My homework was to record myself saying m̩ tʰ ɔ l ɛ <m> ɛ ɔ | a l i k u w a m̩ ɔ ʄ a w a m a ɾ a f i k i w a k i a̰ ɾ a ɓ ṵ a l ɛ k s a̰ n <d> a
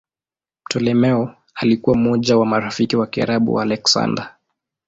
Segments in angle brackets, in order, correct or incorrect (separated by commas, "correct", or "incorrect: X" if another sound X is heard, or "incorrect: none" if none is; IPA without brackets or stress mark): correct, correct